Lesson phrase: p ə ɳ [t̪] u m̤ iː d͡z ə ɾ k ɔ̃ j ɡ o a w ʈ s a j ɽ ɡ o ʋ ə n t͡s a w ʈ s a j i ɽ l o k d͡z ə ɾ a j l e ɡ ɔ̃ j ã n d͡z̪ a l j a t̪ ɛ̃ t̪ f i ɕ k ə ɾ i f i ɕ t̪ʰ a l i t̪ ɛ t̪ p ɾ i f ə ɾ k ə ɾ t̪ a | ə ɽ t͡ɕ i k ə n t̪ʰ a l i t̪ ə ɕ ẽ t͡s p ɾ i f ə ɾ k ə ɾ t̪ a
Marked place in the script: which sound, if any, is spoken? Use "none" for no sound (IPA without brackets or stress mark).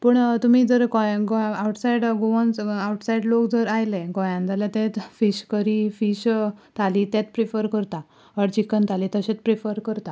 t̪